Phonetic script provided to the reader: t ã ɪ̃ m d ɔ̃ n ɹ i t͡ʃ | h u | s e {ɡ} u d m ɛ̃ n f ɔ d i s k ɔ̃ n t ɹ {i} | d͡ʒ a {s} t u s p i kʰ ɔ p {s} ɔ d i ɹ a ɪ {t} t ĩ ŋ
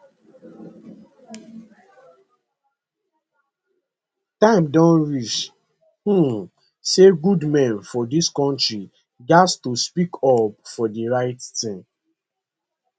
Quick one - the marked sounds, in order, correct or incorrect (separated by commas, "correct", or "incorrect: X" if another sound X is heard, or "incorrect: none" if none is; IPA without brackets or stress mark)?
correct, correct, correct, incorrect: f, correct